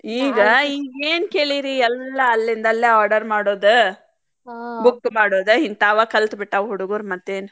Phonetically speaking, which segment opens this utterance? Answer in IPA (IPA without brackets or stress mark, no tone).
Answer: iː